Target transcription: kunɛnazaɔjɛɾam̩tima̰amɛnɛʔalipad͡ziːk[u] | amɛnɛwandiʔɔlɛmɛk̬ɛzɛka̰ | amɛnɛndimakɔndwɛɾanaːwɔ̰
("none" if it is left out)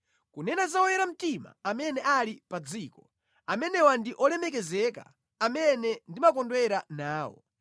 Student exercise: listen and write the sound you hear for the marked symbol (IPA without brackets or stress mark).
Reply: ɔ